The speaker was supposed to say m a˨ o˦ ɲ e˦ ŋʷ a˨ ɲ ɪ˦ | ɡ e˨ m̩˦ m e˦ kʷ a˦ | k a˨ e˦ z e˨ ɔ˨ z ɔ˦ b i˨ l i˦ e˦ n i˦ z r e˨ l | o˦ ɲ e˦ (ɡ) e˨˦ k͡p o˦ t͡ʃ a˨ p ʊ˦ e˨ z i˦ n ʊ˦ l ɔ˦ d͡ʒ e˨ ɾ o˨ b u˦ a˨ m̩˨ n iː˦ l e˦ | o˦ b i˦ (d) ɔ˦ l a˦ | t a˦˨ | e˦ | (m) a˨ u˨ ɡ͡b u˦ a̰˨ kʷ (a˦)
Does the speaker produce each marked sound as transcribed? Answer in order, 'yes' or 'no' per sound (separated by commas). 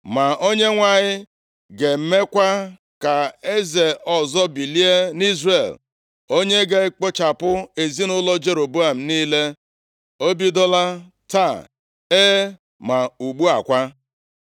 yes, yes, yes, yes